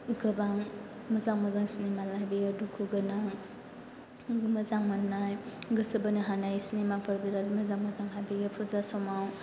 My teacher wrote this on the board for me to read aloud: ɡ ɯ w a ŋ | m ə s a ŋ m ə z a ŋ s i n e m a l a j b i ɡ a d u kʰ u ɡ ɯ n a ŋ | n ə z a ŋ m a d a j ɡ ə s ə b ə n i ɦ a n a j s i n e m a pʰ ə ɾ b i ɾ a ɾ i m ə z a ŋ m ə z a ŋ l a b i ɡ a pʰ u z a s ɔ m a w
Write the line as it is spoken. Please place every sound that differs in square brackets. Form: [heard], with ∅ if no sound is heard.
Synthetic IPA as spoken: ɡ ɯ [b] a ŋ | m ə [z] a ŋ m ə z a ŋ s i n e m a l a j b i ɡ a d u kʰ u ɡ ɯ n a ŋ | [m] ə z a ŋ m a [n] a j ɡ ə s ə b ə n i ɦ a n a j s i n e m a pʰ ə ɾ b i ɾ a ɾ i m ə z a ŋ m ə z a ŋ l a b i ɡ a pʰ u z a s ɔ m a w